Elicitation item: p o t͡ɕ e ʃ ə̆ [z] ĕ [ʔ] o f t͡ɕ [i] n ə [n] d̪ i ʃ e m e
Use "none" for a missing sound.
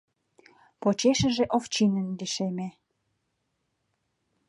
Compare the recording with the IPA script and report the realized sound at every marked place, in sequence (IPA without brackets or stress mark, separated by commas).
ʒ, ʔ, i, n